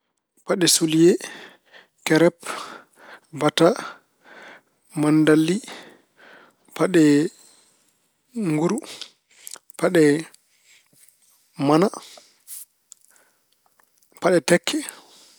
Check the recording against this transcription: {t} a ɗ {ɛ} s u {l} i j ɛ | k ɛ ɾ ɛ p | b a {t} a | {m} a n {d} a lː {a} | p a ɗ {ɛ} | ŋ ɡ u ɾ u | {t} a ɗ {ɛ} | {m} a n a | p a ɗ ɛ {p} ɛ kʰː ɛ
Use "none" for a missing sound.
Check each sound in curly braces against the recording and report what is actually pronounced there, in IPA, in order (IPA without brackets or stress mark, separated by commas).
p, ɛ, l, t, m, d, i, ɛ, p, ɛ, m, t